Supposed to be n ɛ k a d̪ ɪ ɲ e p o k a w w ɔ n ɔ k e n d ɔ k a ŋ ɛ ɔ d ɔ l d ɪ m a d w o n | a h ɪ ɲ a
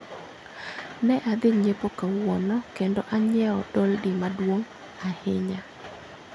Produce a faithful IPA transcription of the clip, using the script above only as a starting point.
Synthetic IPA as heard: n ɛ ʔ a d̪ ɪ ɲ e p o k a w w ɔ n ɔ k e n d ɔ ʔ a ɲ ɛ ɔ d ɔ l d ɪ m a d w o ŋ | a h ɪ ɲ a